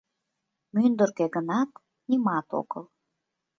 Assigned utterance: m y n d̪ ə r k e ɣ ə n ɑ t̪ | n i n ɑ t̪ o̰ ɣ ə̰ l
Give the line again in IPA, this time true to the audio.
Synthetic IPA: m y n d̪ ə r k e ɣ ə n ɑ t̪ | n i m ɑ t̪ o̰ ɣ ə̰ l

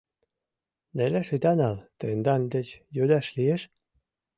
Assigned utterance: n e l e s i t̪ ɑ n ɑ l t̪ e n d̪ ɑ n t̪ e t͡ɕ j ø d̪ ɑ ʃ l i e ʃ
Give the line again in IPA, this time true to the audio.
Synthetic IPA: n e l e ʃ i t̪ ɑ n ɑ l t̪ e n d̪ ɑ n d̪ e t͡ɕ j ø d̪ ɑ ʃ l i e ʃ

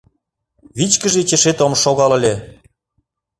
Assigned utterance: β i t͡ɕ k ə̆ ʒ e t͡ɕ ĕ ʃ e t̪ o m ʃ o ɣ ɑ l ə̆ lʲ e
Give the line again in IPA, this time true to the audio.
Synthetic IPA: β i t͡ɕ k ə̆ ʒ e t͡ɕ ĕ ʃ e t̪ o m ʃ o ɣ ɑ l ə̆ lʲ e

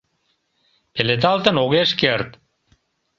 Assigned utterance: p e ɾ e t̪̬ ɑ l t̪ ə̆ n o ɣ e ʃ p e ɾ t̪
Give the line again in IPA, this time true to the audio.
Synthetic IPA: p e l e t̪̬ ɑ l t̪ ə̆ n o ɣ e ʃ k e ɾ t̪

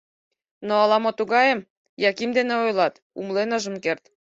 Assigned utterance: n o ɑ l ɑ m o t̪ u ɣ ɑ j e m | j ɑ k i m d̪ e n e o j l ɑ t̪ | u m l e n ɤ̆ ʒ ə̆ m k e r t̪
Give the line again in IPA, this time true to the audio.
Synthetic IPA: n o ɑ l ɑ m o t̪ u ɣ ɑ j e m | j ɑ k i m d̪ e n e o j l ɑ t̪ | u m l e n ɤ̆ ʒ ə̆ m k e r t̪

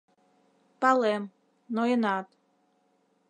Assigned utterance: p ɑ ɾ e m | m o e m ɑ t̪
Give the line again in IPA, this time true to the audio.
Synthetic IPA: p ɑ l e m | n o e n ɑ t̪

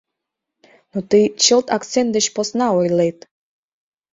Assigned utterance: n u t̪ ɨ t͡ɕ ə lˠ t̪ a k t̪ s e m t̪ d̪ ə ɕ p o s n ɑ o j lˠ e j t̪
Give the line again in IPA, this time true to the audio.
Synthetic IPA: n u t̪ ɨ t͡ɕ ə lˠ t̪ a k t̪ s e n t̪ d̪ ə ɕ p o s n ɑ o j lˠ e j t̪

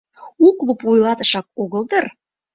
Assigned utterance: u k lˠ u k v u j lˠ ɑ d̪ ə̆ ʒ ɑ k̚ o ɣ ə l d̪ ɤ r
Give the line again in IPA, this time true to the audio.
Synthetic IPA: u k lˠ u p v u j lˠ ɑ t̪ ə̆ ʃ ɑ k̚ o ɣ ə l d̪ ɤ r

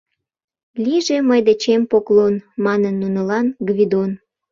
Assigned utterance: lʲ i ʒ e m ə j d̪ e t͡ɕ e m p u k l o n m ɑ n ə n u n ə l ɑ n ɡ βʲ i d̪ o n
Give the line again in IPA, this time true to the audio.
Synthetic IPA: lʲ i ʒ e m ə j d̪ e t͡ɕ e m p o k l o n m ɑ n ə nː u n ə l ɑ n ɡ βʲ i d̪ o n

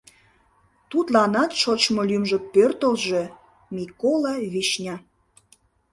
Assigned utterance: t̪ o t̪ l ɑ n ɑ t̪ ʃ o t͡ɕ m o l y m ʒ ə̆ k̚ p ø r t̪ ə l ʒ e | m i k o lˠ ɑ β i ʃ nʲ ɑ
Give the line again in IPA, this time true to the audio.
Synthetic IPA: t̪ u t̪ l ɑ n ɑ t̪ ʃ o t͡ɕ m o l y m ʒ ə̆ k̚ p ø r t̪ ə l ʒ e | m i k o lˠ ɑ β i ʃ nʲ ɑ

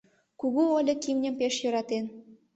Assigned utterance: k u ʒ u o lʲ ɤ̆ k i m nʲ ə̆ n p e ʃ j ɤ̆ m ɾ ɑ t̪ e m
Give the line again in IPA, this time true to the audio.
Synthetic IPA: k u ɣ u o lʲ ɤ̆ k i m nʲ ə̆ m p e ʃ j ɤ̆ ɾ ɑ t̪ e n

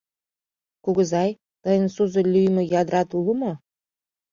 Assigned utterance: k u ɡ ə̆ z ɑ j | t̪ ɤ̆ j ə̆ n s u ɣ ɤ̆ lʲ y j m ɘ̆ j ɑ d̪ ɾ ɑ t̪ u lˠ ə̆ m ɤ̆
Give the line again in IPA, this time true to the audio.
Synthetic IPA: k u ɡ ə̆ z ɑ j | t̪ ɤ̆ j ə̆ n s u z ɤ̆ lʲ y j m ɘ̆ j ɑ d̪ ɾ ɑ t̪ u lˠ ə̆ m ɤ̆

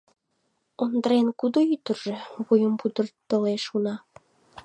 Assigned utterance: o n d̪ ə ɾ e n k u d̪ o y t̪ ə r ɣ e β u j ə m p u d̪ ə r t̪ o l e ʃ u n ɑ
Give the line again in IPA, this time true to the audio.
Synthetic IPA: o n d̪ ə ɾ e n k u d̪ o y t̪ ə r ʒ e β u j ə m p u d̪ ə r t̪ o l e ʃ u n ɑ

